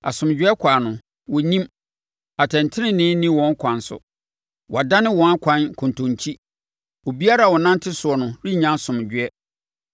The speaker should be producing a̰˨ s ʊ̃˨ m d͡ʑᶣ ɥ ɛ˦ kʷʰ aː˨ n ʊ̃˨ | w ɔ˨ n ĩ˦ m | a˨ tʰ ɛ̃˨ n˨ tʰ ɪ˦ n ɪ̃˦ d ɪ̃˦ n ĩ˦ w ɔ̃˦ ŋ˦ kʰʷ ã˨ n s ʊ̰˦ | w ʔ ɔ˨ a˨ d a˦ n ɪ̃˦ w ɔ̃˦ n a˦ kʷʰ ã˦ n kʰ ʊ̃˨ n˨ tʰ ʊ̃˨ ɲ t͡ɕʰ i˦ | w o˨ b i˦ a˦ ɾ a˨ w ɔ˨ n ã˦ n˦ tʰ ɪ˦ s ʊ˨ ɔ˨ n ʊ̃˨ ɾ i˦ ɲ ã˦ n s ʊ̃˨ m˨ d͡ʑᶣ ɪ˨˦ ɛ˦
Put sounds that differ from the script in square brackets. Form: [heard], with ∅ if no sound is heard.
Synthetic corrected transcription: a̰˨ s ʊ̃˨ m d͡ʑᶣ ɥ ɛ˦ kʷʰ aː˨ n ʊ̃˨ | w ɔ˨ n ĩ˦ m | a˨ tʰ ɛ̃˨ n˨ tʰ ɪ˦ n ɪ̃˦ [n] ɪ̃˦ n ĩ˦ w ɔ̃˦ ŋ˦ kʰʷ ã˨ n s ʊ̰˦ | w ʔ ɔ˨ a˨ d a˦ n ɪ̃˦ w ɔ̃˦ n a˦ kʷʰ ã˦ n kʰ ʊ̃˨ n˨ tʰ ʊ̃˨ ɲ t͡ɕʰ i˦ | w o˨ b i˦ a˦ ɾ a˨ w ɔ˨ n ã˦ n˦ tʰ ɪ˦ s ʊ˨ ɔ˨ n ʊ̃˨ ɾ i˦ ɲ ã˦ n s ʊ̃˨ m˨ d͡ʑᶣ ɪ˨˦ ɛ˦

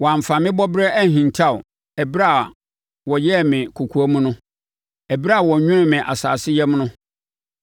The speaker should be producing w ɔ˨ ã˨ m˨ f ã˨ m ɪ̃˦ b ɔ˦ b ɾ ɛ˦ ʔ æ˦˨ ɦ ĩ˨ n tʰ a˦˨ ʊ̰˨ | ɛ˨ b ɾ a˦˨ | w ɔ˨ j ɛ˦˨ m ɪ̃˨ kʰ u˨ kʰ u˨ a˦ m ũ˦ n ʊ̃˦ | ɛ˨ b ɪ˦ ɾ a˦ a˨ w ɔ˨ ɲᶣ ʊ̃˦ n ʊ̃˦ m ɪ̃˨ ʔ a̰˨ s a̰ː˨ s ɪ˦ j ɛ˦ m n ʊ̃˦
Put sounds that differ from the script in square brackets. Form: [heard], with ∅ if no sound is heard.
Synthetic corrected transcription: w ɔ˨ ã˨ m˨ f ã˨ m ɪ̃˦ b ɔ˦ b ɾ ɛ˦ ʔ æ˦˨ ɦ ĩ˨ n tʰ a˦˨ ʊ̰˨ | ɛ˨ b ɾ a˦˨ | w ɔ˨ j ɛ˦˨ m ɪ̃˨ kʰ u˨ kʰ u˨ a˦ m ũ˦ n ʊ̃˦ | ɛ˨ b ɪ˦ ɾ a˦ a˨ w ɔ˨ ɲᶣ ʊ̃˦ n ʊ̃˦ m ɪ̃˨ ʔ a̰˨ s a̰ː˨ s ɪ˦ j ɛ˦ m n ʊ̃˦

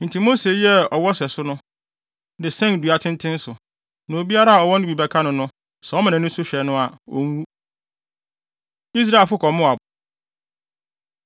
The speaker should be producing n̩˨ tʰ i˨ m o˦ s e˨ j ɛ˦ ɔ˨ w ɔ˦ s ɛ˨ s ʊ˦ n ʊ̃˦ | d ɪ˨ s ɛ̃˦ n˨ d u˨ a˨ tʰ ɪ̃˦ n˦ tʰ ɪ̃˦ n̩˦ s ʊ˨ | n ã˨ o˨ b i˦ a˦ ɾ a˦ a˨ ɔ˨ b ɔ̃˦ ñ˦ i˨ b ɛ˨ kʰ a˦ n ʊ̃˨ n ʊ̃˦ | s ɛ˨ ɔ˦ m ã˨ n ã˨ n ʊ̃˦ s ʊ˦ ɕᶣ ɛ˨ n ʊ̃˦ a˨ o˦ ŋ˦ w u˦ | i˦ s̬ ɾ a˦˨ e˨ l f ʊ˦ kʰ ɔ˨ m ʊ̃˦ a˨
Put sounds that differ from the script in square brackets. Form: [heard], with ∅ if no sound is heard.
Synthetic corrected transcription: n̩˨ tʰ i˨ m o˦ s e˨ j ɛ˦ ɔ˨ w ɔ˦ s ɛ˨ s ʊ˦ n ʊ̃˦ | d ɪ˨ s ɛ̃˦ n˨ d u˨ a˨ tʰ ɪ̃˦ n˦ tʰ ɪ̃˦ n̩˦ s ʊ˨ | n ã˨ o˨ b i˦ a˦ ɾ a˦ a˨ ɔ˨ [w] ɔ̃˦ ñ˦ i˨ b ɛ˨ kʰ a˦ n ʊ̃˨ n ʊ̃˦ | s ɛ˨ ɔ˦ m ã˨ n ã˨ n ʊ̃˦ s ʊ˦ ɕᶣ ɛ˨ n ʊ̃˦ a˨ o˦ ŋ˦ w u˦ | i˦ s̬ ɾ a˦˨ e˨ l f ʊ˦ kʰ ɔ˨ m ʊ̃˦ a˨

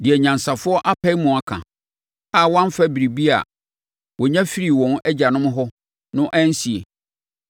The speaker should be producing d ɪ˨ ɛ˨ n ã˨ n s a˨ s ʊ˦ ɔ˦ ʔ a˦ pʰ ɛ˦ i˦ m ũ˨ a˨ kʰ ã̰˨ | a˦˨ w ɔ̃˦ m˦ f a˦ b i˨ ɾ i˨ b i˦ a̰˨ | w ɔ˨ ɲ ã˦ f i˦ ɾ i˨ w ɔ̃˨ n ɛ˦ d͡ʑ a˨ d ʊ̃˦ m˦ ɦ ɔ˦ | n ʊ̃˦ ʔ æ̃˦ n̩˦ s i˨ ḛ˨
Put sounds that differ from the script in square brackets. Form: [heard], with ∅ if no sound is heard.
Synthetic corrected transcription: d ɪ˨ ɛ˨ [ɲ] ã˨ n s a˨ [f] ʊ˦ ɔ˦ ʔ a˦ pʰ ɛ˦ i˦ m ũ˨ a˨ kʰ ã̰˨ | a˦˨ w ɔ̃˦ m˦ f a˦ b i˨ ɾ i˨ b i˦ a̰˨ | w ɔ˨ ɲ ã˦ f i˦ ɾ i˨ w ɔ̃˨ n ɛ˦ d͡ʑ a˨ [n] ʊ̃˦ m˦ ɦ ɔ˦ | n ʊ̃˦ ʔ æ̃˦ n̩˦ s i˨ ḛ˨

